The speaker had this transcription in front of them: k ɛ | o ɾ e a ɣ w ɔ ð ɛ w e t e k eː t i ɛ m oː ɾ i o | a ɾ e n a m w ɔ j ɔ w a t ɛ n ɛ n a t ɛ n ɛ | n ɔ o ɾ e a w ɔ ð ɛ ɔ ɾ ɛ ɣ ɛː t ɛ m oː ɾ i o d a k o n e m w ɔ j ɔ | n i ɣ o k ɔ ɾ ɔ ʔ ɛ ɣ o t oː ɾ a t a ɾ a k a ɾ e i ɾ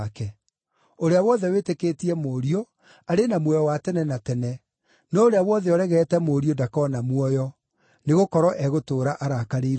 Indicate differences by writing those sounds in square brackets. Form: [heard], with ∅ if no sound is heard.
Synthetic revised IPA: k ɛ | o ɾ e a [∅] w ɔ ð ɛ w e t e k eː t i ɛ m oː ɾ i o | a ɾ e n a m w ɔ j ɔ w a t ɛ n ɛ n a t ɛ n ɛ | n ɔ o ɾ e a w ɔ ð ɛ ɔ ɾ ɛ ɣ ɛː t ɛ m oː ɾ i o d a k [ɔ] n [a] m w ɔ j ɔ | n [e] ɣ o k ɔ ɾ ɔ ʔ ɛ ɣ o t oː ɾ a [ʔ] a ɾ a k a ɾ e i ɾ